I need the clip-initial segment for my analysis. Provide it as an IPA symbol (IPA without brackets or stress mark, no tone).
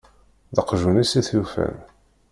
ð